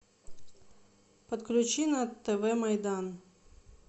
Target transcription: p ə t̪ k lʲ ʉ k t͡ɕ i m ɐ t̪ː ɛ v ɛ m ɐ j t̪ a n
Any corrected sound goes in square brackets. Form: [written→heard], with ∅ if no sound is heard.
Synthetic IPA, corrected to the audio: p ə t̪ k lʲ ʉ [k→∅] t͡ɕ i [m→n] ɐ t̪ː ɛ v ɛ m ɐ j [t̪→d̪] a n